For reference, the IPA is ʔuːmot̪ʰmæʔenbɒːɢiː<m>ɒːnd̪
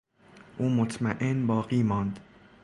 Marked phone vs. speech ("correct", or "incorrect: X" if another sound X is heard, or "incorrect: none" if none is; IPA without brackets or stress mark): correct